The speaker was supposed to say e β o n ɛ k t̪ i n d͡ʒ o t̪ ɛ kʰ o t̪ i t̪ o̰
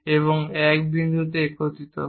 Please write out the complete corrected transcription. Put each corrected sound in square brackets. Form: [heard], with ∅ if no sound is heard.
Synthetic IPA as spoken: e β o [ŋ] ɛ k [d̪] i n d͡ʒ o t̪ [e] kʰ o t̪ i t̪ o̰